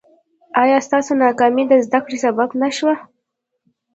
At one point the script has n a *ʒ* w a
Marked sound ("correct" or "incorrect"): incorrect